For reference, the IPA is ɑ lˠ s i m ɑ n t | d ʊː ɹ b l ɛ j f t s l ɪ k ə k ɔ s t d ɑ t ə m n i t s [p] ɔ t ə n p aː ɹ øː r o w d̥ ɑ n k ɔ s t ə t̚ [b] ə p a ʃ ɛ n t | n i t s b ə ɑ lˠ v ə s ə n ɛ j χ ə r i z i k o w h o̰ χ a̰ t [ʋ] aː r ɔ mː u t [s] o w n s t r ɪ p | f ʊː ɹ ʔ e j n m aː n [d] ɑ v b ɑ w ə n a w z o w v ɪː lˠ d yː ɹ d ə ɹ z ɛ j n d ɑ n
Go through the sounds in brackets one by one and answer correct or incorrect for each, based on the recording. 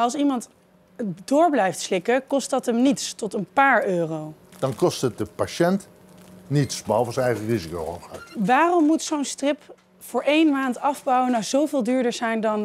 incorrect: t, incorrect: d, correct, correct, incorrect: t

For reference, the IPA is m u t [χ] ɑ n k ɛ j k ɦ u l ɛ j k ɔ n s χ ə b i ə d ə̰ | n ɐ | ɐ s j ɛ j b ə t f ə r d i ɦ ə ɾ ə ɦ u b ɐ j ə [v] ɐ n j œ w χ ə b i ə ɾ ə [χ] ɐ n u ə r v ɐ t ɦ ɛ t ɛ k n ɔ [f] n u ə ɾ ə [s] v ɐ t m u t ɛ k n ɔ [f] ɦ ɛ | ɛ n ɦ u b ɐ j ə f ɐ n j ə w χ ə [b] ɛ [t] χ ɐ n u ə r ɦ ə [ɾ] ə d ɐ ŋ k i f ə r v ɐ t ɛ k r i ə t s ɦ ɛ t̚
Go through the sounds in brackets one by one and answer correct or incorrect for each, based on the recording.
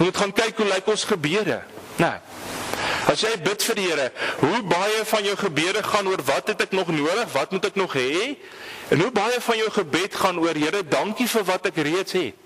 correct, incorrect: f, correct, incorrect: χ, incorrect: χ, incorrect: χ, correct, correct, correct

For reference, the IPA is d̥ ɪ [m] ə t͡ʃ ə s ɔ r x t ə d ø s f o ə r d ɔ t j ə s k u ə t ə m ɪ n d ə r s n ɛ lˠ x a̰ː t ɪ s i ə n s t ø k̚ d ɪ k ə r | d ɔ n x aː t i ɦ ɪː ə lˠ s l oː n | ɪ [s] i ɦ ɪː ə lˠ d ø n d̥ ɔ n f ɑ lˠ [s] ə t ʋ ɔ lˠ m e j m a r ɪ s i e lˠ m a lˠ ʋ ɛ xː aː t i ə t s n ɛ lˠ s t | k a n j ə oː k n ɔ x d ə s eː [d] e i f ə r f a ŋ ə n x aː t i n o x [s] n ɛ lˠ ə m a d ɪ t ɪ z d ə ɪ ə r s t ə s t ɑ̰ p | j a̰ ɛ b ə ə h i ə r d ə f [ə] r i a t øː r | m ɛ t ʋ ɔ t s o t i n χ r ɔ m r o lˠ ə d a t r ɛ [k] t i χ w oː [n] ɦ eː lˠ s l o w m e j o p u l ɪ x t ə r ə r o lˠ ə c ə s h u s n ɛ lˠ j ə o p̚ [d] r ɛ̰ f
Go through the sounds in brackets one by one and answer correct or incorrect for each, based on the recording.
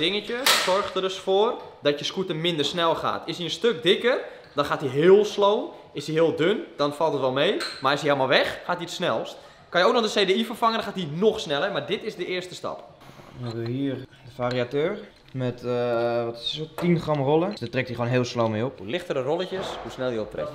incorrect: ŋ, correct, incorrect: t, correct, correct, incorrect: a, correct, correct, incorrect: t

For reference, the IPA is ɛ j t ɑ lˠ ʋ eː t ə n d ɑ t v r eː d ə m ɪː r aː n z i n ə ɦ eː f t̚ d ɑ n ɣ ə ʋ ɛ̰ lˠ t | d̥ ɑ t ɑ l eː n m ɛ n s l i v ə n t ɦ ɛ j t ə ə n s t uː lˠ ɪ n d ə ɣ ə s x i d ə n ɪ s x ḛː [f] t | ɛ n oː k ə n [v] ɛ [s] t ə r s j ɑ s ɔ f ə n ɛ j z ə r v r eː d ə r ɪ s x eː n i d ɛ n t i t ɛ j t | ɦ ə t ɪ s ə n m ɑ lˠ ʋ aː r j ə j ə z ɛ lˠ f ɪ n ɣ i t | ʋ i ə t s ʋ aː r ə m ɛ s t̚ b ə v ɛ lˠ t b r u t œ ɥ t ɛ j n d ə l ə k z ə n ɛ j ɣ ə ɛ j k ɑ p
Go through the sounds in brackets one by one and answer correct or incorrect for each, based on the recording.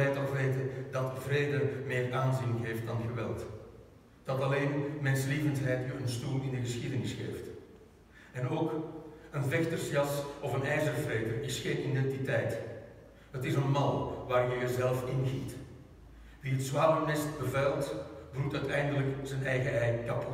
correct, correct, incorrect: x

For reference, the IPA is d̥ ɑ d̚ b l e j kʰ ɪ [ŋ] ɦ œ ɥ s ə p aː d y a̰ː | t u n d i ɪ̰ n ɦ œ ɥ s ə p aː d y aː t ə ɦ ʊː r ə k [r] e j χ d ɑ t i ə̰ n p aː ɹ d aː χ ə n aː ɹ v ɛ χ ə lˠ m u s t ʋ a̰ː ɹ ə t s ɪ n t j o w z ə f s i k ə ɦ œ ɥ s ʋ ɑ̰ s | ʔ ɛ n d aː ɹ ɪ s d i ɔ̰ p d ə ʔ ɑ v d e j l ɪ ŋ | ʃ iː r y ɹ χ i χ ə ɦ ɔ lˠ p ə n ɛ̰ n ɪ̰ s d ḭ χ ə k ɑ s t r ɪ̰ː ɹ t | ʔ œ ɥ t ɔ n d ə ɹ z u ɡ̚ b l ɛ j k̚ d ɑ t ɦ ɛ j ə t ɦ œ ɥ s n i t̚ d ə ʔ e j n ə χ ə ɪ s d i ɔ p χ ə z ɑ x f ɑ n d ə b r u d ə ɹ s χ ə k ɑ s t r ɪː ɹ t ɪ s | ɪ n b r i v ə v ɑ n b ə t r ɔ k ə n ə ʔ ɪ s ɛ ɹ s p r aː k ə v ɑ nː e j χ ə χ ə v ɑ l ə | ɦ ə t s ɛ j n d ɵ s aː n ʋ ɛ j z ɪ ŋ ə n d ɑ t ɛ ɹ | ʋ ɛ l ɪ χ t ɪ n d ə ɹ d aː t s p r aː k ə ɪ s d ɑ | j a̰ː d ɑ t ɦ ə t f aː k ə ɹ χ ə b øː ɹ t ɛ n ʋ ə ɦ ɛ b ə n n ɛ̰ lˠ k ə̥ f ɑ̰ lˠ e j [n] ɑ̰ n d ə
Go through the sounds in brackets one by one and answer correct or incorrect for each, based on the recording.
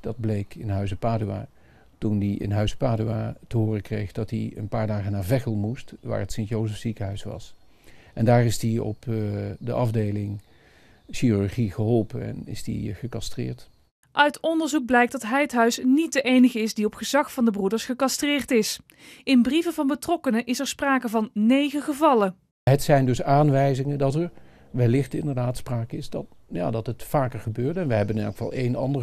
incorrect: n, correct, correct

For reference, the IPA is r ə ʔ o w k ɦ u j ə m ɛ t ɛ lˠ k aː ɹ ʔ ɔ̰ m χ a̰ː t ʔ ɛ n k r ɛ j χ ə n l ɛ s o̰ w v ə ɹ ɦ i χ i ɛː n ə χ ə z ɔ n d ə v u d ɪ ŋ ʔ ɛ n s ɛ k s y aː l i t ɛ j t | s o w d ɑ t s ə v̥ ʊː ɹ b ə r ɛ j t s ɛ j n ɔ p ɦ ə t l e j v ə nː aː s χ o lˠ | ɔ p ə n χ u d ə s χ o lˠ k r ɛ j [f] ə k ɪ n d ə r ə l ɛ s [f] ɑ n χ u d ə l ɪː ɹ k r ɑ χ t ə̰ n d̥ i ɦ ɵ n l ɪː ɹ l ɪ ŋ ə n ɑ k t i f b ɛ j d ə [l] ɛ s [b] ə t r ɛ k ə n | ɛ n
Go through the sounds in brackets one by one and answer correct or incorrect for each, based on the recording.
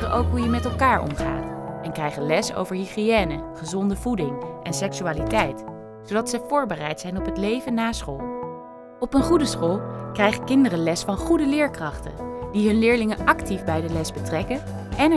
incorrect: χ, correct, correct, correct

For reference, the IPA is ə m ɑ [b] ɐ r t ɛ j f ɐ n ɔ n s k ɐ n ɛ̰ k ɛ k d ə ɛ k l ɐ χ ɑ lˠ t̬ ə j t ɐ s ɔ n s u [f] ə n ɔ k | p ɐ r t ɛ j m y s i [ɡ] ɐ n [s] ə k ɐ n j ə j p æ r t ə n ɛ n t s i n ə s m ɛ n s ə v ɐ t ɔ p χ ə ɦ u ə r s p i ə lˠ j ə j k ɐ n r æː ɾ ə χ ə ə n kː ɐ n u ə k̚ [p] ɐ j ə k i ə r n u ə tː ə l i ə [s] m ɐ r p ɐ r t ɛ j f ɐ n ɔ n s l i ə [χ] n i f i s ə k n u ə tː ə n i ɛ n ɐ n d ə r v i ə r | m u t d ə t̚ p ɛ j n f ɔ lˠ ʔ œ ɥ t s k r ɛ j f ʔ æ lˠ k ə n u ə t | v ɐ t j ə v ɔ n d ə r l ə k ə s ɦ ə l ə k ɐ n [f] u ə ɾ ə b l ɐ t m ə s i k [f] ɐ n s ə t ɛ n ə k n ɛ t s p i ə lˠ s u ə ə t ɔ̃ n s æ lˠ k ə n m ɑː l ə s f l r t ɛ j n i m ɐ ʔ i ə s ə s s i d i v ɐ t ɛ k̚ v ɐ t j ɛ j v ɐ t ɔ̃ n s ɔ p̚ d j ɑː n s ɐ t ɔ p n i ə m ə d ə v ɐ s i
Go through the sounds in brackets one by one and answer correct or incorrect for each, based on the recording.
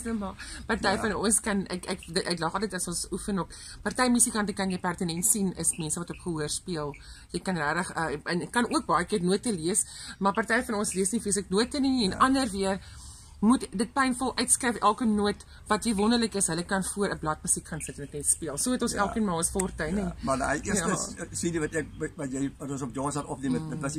incorrect: p, correct, incorrect: k, incorrect: t, incorrect: b, correct, incorrect: s, correct, incorrect: χ

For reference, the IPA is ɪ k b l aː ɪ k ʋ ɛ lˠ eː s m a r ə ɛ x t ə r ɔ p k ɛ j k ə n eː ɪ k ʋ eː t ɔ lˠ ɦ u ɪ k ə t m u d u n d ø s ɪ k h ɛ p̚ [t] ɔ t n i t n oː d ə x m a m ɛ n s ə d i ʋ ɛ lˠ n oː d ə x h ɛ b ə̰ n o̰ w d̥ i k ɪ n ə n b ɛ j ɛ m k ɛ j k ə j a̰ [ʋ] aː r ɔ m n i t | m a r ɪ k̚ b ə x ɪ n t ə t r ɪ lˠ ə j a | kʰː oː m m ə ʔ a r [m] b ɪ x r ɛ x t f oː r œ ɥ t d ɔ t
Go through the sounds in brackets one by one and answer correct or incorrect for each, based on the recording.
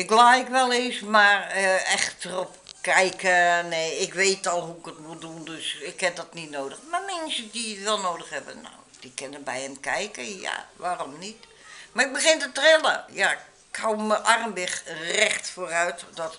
incorrect: d, correct, correct

